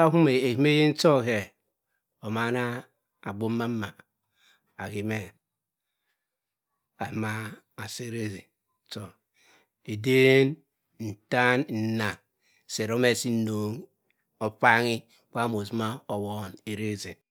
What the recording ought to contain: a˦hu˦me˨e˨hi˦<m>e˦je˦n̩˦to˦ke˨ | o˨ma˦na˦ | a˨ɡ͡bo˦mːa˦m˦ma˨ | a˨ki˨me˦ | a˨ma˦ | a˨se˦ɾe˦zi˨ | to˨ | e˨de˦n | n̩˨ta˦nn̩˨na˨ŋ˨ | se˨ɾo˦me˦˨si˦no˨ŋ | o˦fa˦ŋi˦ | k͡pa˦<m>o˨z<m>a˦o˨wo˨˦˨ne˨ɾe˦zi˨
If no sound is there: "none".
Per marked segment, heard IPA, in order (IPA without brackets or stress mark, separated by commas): m, m, m